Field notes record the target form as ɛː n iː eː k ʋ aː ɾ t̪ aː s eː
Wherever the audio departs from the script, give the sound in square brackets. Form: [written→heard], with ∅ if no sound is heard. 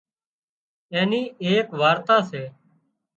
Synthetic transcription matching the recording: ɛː n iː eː k ʋ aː ɾ t̪ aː s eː

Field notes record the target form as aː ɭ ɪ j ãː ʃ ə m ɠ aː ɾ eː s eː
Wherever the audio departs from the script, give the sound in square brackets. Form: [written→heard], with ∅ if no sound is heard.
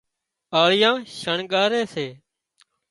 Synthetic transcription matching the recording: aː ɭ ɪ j ãː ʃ ə [m→ɳ] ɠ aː ɾ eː s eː

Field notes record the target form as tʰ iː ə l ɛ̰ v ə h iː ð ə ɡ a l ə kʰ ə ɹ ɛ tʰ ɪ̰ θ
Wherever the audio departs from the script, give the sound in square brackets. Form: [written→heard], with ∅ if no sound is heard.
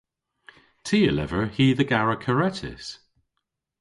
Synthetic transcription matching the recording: tʰ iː ə l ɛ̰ v ə h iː ð ə ɡ a [l→ɹ] ə kʰ ə ɹ ɛ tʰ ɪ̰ [θ→s]

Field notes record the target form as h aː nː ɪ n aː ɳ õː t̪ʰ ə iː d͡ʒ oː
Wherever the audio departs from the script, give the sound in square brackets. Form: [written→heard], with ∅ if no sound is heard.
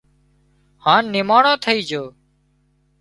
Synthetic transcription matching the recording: h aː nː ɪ [n→m] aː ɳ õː t̪ʰ ə iː d͡ʒ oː

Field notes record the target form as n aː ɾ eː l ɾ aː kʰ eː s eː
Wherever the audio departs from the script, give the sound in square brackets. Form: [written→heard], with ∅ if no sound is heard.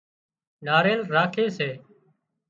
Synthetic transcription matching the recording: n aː ɾ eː l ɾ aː kʰ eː s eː

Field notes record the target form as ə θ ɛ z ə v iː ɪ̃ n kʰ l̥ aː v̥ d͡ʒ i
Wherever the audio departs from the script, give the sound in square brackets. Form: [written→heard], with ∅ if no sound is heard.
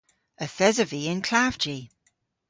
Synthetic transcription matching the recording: ə θ ɛ z ə v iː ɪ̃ n kʰ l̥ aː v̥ d͡ʒ i

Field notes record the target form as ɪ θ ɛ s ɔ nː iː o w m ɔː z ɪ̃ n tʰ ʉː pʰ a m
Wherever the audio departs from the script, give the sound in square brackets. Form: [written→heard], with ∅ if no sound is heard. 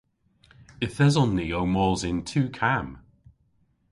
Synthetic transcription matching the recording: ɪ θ ɛ [s→z] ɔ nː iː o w m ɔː z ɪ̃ n tʰ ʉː [pʰ→kʰ] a m

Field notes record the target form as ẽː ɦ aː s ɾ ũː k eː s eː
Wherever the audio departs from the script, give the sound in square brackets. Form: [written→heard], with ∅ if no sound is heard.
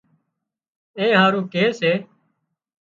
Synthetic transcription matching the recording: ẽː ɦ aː [s→∅] ɾ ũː k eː s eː

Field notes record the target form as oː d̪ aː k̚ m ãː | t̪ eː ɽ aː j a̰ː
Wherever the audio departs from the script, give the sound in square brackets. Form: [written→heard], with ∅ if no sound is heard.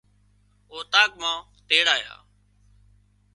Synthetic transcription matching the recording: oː [d̪→t̪] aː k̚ m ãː | t̪ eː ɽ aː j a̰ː

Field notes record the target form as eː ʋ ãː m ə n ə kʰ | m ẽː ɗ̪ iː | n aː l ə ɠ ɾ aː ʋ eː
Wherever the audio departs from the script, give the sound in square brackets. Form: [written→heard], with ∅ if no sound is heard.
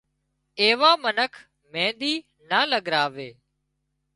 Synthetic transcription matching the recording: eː ʋ [ãː→aː] m ə n ə kʰ | m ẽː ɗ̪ iː | n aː l ə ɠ ɾ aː ʋ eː

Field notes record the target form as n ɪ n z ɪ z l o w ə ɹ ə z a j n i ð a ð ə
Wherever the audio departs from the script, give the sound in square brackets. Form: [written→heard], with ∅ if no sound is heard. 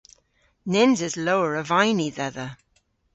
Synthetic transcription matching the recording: n ɪ n z ɪ z l o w ə ɹ ə [z→v] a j n i ð [a→ɛ] ð ə

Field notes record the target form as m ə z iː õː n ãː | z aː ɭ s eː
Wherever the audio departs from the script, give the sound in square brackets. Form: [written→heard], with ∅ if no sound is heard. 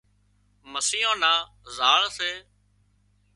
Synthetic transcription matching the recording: m ə [z→s] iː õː n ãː | z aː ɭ s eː

